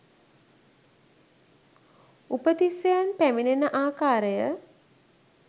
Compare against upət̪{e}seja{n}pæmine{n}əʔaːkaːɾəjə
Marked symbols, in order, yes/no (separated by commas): no, yes, yes